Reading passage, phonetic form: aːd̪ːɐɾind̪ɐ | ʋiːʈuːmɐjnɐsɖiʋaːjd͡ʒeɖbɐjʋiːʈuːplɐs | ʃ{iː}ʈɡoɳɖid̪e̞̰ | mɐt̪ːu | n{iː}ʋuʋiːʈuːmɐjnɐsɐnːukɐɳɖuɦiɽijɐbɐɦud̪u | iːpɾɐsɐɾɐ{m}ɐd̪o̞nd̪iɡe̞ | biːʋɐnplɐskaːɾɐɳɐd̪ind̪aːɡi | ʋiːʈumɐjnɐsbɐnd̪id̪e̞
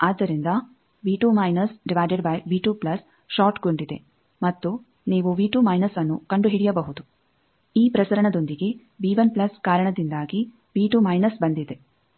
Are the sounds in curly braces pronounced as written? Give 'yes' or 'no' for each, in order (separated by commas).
no, yes, no